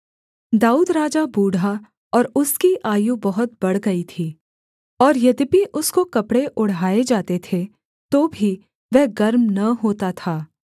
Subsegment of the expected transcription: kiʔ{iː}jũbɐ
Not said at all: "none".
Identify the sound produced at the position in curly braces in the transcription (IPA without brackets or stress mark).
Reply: aː